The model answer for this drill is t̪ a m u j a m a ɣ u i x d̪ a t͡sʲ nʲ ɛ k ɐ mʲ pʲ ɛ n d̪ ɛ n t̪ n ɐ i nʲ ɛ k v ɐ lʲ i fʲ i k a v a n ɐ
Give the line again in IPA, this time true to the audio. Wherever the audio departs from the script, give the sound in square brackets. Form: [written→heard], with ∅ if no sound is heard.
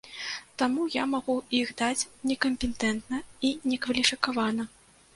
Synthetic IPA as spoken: t̪ a m u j a m a ɣ u i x d̪ a t͡sʲ nʲ ɛ k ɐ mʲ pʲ ɛ n [d̪→t̪] ɛ n t̪ n ɐ i nʲ ɛ k v ɐ lʲ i fʲ i k a v a n ɐ